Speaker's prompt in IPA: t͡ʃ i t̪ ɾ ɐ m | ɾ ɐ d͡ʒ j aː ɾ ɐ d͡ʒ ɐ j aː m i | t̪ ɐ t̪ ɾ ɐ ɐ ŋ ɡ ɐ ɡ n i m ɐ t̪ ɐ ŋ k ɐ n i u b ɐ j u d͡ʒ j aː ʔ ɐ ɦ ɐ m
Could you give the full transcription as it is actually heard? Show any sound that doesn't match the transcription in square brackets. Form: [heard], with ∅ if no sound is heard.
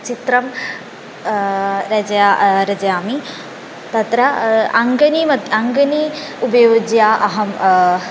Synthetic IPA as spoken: t͡ʃ i t̪ ɾ ɐ m | ɾ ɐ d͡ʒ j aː ɾ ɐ d͡ʒ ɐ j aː m i | t̪ ɐ t̪ ɾ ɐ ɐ ŋ ɡ ɐ [∅] n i m ɐ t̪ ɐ ŋ [ɡ] ɐ n i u b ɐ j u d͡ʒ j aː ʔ ɐ ɦ ɐ m